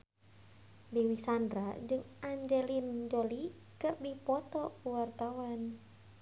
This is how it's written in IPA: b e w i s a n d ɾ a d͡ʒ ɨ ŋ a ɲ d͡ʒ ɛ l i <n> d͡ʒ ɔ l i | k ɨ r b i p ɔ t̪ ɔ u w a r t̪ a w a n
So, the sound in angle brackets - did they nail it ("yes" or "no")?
yes